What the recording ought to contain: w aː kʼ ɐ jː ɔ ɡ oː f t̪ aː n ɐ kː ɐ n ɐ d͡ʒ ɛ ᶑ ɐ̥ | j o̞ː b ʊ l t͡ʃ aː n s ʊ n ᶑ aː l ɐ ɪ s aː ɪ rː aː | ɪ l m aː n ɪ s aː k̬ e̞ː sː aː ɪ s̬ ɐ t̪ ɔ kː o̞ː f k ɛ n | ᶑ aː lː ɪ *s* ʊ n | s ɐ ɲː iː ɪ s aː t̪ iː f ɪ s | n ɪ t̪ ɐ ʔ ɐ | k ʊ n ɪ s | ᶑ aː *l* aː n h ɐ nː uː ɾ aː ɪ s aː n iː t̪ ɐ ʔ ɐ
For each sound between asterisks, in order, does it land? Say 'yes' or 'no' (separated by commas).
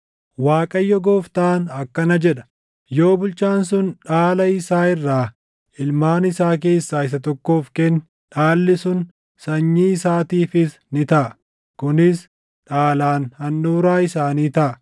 yes, yes